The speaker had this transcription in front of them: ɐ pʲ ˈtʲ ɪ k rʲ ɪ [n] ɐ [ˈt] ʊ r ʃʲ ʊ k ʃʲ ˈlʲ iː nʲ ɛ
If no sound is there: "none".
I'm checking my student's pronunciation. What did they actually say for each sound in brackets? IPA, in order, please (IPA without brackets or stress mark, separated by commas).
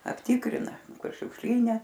n, k